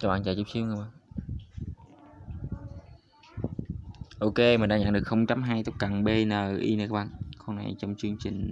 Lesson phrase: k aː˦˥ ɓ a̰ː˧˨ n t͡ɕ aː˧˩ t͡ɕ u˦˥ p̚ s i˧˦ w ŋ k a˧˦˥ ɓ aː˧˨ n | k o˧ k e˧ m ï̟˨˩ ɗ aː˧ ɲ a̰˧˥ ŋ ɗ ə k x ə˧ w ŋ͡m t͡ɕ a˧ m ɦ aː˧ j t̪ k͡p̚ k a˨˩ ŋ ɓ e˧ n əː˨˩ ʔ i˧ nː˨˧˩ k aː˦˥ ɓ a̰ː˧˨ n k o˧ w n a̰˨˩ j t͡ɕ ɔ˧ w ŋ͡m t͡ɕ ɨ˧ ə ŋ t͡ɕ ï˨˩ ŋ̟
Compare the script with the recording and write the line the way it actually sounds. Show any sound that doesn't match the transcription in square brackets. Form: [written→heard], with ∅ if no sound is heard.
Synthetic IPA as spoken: k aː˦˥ ɓ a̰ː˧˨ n t͡ɕ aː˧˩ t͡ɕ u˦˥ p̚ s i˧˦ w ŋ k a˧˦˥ ɓ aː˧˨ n | [k→ʔ] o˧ k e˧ m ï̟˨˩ ɗ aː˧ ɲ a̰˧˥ ŋ ɗ ə k x ə˧ w ŋ͡m t͡ɕ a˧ m ɦ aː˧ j t̪ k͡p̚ k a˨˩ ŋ ɓ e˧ n əː˨˩ ʔ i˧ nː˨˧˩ k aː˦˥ ɓ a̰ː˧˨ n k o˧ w n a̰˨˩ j t͡ɕ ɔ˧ w ŋ͡m t͡ɕ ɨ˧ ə ŋ t͡ɕ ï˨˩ ŋ̟

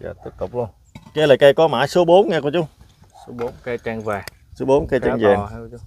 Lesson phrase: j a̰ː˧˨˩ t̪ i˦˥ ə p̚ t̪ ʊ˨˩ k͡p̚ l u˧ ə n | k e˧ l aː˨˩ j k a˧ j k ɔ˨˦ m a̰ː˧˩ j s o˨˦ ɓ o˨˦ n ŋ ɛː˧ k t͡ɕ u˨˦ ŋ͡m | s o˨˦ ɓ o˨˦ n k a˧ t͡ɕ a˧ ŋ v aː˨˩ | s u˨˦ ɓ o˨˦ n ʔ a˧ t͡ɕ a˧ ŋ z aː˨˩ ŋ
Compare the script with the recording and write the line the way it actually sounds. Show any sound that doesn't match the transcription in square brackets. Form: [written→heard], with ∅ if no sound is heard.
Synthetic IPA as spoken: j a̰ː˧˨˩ t̪ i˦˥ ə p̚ t̪ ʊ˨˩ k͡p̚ l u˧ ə n | k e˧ l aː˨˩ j k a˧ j k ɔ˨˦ m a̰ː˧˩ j s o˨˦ ɓ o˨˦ n ŋ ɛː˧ k t͡ɕ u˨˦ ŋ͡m | s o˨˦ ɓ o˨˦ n k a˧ t͡ɕ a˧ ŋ v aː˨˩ | s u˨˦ ɓ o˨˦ n [ʔ→k] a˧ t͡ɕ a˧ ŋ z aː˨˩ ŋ

